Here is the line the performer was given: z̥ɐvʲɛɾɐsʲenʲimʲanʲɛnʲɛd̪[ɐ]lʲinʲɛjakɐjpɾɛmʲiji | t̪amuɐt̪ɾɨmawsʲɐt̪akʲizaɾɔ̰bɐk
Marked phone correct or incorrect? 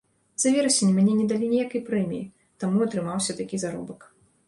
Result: incorrect